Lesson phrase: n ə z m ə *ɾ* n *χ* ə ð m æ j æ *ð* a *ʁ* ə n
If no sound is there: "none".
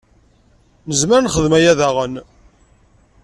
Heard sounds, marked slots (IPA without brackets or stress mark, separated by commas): ɾ, χ, ð, ʁ